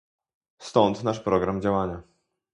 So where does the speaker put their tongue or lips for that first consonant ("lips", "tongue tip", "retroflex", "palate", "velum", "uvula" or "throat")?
tongue tip